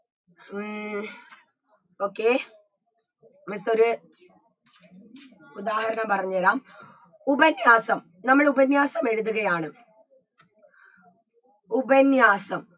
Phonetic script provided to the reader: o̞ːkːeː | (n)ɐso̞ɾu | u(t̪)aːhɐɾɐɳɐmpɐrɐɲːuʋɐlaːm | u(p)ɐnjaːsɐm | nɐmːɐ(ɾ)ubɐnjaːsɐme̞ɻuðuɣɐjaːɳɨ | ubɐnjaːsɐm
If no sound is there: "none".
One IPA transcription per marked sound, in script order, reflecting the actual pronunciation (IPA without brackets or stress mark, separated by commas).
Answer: m, d̪, b, ɭ